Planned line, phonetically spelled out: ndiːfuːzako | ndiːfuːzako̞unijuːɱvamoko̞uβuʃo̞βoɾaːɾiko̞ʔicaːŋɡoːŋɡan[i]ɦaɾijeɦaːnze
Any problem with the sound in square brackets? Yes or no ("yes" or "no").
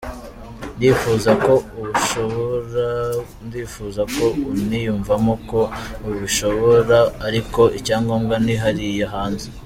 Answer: no